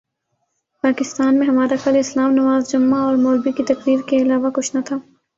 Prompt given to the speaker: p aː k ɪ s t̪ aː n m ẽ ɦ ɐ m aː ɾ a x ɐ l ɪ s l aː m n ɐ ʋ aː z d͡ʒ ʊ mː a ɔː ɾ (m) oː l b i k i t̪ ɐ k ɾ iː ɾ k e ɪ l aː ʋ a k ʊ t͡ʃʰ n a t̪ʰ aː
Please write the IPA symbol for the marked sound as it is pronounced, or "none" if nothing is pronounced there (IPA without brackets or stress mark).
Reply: m